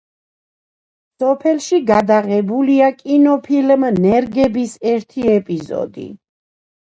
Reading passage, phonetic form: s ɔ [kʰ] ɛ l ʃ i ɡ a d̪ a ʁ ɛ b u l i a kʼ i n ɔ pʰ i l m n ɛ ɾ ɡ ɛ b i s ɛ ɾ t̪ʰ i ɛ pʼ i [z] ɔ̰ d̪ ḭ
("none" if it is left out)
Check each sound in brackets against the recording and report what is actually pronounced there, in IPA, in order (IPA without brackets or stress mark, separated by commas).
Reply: pʰ, z